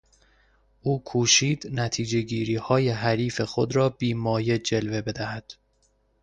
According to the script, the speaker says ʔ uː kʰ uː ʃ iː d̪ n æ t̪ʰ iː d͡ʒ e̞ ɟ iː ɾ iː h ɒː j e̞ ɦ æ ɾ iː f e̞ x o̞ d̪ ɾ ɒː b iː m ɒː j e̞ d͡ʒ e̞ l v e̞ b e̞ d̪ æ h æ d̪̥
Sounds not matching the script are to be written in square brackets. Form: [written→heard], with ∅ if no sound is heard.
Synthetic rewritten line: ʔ uː kʰ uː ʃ iː d̪ n æ t̪ʰ iː d͡ʒ e̞ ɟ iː ɾ iː h ɒː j e̞ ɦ æ ɾ iː f e̞ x o̞ d̪ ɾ ɒː b iː m ɒː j e̞ d͡ʒ e̞ l v e̞ b e̞ d̪ æ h æ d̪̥